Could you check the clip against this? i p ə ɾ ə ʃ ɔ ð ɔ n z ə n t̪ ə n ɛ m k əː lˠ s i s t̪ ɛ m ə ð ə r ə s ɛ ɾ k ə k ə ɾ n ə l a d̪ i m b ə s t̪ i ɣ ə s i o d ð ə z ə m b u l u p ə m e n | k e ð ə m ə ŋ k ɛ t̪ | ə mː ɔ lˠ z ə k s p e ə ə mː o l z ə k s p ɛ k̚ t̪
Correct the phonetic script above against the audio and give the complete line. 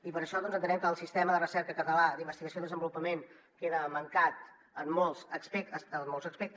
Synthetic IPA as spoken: i p ə ɾ ə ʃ ɔ ð ɔ n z ə n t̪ ə n ɛ m k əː lˠ s i s t̪ ɛ m ə ð ə r ə s ɛ ɾ k ə k ə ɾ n ə l a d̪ i m b ə s t̪ i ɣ ə s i o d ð ə z ə m b u l u p ə m e n | k e ð ə m ə ŋ k a t̪ | ə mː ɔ lˠ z ə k s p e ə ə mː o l z ə k s p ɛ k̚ t̪